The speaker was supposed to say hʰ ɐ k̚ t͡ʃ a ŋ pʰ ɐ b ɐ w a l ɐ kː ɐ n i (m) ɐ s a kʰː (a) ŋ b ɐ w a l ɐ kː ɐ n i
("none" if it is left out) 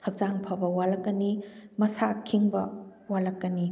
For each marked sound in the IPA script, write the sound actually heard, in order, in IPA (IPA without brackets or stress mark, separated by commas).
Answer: m, i